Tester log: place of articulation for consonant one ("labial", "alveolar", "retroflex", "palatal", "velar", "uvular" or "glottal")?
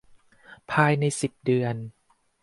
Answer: labial